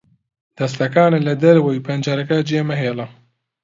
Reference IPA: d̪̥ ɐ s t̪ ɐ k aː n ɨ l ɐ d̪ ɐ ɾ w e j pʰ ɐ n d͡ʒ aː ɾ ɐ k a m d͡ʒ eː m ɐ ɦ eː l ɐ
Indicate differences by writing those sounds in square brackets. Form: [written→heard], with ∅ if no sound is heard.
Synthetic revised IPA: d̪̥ ɐ s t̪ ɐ k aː n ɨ l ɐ d̪ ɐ ɾ w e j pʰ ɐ n d͡ʒ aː ɾ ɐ k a [m→∅] d͡ʒ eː m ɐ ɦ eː l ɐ